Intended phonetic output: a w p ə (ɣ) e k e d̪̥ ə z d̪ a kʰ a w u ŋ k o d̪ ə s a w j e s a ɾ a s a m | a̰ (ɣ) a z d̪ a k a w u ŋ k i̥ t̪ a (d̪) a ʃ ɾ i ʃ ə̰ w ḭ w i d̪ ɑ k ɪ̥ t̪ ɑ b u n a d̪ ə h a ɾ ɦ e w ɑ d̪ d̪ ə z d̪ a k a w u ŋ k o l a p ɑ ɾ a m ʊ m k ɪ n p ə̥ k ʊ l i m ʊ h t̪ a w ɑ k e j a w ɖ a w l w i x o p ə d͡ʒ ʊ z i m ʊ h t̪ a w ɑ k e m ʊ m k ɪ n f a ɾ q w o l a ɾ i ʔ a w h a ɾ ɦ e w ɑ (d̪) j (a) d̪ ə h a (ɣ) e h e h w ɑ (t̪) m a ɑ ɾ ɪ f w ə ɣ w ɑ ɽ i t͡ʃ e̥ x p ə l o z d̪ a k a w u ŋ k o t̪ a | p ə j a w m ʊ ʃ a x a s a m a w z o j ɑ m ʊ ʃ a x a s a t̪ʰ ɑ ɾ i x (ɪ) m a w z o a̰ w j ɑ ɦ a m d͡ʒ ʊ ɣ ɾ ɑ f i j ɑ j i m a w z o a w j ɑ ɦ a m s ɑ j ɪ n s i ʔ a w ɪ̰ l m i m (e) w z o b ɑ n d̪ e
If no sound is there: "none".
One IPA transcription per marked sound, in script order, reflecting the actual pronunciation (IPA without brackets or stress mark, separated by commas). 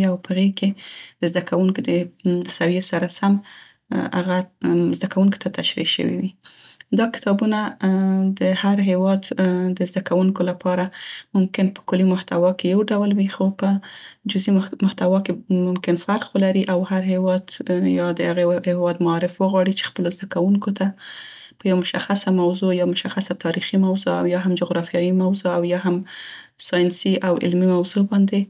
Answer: ɣ, ɣ, t̪, d̪, ɑ, ɣ, d̪, i, a